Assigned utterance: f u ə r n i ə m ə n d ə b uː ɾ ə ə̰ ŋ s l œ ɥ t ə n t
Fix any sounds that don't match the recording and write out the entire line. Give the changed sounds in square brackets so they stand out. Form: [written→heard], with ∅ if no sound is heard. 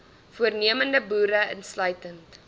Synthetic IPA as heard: f u ə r n i ə m ə n d ə b uː ɾ ə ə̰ [ŋ→n] s l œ ɥ t ə n t